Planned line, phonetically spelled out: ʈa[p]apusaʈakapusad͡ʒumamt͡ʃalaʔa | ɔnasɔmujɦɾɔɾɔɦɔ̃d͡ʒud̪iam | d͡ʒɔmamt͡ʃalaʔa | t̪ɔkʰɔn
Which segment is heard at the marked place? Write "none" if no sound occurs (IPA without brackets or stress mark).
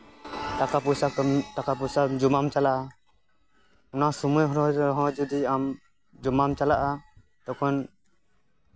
k